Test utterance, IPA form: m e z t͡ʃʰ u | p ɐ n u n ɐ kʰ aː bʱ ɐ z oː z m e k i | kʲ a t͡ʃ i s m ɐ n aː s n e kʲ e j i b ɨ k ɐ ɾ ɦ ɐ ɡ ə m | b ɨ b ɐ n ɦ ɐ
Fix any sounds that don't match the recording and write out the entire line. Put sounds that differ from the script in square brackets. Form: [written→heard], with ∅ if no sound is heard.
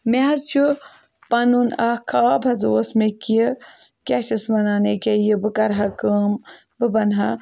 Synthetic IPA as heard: m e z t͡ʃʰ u | p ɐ n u n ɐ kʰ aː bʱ ɐ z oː [z→s] m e k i | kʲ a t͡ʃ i s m ɐ n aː [s→∅] n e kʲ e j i b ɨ k ɐ ɾ ɦ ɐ [ɡ→k] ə m | b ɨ b ɐ n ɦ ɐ

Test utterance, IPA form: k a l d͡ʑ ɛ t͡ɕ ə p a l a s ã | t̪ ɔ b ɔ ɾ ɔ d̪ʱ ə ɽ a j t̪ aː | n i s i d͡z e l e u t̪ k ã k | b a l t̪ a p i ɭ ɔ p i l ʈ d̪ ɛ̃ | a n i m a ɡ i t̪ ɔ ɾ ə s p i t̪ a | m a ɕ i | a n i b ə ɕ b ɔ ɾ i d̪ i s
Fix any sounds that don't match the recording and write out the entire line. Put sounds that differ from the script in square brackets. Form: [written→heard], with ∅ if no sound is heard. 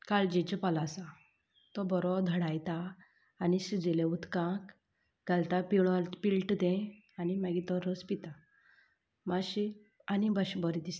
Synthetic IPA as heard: k a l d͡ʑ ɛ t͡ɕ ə p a l a s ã | t̪ ɔ b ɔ ɾ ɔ d̪ʱ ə ɽ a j t̪ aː | n i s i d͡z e l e u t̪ k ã k | [b→ɡ] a l t̪ a p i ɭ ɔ p i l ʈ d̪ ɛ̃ | a n i m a ɡ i t̪ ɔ ɾ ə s p i t̪ a | m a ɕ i | a n i b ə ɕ b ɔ ɾ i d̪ i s

